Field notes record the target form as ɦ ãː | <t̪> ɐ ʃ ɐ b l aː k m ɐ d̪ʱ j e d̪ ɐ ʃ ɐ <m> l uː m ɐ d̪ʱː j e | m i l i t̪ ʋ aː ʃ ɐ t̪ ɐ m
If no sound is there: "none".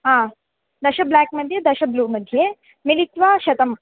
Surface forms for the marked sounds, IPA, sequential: d̪, b

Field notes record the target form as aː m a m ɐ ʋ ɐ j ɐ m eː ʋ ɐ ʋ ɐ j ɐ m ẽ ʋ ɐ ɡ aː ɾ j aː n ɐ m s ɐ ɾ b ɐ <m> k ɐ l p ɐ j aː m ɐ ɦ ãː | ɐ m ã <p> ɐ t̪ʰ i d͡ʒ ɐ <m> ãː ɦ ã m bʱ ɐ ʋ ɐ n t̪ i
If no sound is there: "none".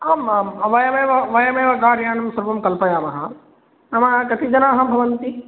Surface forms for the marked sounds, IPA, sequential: m, k, n

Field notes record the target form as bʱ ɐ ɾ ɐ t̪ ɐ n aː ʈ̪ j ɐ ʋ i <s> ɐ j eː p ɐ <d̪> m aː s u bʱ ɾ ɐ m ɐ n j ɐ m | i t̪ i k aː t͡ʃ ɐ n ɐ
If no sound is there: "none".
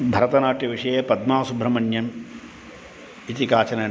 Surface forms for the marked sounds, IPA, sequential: ʂ, d̪

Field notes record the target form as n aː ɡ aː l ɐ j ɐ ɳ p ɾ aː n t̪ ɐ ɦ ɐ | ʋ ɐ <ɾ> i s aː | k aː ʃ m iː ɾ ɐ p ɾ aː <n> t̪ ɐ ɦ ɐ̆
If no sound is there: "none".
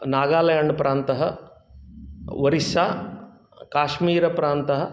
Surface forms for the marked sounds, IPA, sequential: ɾ, n

